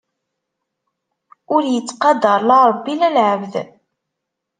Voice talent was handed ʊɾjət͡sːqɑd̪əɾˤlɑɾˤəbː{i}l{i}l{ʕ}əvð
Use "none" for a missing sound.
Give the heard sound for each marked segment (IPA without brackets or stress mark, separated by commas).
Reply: i, æ, ʕ